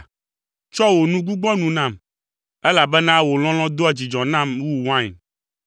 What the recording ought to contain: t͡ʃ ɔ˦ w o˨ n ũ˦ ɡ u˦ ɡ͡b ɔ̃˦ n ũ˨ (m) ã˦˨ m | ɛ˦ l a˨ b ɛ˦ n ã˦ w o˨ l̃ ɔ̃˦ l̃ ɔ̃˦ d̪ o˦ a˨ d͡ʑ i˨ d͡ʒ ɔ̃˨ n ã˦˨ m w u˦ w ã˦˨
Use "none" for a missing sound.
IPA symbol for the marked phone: n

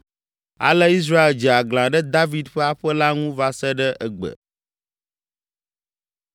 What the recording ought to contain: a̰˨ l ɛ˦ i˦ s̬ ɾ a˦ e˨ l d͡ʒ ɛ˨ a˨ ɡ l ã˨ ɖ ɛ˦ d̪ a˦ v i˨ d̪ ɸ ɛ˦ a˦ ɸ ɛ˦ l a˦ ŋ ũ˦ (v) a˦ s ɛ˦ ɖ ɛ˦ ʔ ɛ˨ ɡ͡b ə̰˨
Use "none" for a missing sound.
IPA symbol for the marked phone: v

